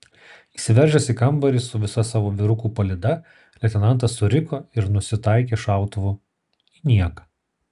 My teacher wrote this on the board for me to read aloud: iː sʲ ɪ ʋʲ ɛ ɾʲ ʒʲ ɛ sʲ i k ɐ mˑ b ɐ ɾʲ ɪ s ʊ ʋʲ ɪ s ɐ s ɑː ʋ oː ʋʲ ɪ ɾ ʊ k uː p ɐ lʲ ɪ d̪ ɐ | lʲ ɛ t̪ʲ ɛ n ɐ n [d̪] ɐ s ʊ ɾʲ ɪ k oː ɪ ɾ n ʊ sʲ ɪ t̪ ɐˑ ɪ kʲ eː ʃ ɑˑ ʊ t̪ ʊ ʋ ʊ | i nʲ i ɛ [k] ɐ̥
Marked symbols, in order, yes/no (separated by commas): no, yes